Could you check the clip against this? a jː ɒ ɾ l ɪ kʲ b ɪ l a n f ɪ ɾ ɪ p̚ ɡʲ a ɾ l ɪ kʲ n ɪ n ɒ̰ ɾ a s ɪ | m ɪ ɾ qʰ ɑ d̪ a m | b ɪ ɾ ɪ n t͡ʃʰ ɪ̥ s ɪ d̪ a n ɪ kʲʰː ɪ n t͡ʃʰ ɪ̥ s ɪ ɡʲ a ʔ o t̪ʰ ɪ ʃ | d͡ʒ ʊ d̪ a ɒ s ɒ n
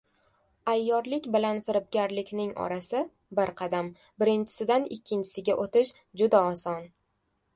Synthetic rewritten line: a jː ɒ ɾ l ɪ kʲ b ɪ l a n f ɪ ɾ ɪ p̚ ɡʲ a ɾ l ɪ kʲ n ɪ ŋ ɒ̰ ɾ a s ɪ | b ɪ ɾ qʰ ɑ d̪ a m | b ɪ ɾ ɪ n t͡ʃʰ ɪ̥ s ɪ d̪ a n ɪ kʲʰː ɪ n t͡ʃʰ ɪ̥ s ɪ ɡʲ a ʔ o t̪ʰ ɪ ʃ | d͡ʒ ʊ d̪ a ɒ s ɒ n